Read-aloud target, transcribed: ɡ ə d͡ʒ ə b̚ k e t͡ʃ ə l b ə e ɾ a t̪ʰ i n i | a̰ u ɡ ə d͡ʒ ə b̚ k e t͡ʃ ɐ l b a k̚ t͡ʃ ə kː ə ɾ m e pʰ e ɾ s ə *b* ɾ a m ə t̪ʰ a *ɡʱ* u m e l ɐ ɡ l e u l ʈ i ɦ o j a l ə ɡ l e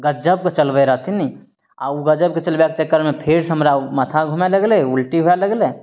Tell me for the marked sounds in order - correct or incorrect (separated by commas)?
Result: incorrect, correct